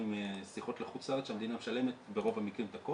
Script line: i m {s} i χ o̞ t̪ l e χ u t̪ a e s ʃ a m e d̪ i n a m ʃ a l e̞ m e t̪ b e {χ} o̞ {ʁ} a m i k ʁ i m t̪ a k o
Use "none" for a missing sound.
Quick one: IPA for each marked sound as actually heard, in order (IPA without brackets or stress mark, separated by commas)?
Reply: s, ʁ, v